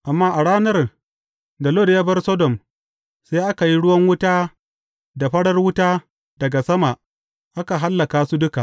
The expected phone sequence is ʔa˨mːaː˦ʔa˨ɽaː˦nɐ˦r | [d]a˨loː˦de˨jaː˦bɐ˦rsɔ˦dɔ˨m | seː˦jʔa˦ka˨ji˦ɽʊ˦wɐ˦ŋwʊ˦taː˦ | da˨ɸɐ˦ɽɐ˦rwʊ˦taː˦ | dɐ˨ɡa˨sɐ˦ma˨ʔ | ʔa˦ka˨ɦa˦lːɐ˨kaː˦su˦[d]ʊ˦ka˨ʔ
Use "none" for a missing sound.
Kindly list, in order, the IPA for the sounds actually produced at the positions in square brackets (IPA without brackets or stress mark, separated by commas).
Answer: d, d